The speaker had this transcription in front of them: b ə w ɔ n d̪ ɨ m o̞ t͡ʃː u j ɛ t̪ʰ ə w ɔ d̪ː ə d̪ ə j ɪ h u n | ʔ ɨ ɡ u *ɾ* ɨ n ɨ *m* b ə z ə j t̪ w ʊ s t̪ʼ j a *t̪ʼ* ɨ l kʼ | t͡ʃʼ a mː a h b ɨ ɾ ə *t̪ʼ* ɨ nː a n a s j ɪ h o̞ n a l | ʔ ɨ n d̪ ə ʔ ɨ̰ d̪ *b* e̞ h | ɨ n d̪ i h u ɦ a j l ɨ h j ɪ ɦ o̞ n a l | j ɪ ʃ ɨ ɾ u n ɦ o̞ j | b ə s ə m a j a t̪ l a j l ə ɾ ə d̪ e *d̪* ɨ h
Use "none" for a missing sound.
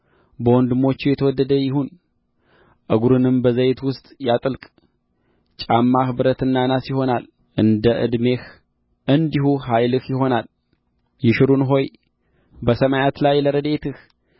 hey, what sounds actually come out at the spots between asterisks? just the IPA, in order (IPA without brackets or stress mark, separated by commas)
ɾ, m, t̪ʼ, t̪, m, t̪